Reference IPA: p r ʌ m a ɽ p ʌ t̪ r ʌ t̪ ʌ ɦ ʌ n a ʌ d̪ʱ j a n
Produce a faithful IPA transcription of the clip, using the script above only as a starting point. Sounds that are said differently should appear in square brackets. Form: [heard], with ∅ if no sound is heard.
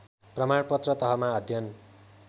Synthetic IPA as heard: p r ʌ m a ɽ p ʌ t̪ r ʌ t̪ ʌ ɦ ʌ [m] a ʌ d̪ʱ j [ʌ] n

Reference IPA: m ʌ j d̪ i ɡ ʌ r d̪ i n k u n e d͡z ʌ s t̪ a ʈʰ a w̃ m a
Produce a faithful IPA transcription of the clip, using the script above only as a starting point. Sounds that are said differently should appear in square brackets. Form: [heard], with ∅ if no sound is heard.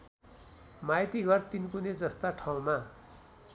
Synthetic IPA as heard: m [a] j [t̪] i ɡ ʌ r [t̪] i n k u n e d͡z ʌ s t̪ a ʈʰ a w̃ m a

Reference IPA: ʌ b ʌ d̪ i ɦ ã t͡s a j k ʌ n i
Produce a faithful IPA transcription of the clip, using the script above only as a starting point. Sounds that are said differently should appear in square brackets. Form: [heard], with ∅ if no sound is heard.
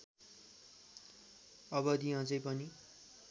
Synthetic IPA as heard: ʌ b ʌ d̪ i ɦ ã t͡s [ʌ] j [p] ʌ n i

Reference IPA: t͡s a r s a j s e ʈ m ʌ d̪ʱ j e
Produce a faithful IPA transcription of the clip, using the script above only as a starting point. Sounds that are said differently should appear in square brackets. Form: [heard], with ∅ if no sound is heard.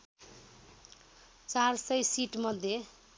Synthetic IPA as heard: t͡s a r s [ʌ] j s [i] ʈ m ʌ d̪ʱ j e

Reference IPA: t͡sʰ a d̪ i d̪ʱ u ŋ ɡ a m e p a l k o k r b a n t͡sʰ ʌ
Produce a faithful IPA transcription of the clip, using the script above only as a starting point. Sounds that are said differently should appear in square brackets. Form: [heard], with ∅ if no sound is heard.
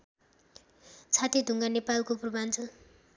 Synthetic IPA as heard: t͡sʰ a [t̪] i d̪ʱ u ŋ ɡ a [n] e p a l k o [p] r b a n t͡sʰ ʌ

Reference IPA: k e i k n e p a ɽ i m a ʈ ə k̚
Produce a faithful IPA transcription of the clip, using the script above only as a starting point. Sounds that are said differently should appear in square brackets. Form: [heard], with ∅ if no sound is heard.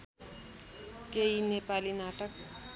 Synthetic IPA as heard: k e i [∅] n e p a [l] i [n] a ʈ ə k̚

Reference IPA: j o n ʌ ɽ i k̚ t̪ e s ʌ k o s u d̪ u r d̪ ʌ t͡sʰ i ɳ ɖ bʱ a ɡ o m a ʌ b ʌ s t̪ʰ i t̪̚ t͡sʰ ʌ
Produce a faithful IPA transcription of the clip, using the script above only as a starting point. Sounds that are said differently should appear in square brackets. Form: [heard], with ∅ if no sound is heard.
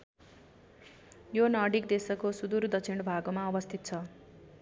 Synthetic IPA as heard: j o n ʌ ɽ i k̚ [d̪] e s ʌ k o s u d̪ u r d̪ ʌ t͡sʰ i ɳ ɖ bʱ a ɡ o m a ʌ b ʌ s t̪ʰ i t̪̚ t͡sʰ ʌ

